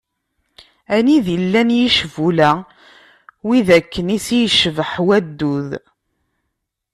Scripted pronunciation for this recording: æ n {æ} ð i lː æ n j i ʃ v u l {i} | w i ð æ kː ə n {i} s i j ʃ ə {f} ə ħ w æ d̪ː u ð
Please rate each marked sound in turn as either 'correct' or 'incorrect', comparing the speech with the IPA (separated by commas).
incorrect, incorrect, correct, incorrect